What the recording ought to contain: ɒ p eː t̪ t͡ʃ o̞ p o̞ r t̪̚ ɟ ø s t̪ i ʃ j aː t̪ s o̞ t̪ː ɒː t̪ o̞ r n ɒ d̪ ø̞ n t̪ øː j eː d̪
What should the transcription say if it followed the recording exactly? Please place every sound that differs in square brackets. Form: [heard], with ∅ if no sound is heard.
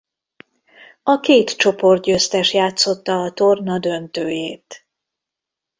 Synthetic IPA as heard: ɒ [k] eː t̪ t͡ʃ o̞ p o̞ r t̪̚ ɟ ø s t̪ [ɛ] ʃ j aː t̪ s o̞ t̪ː ɒː t̪ o̞ r n ɒ d̪ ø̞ n t̪ øː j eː [t̪]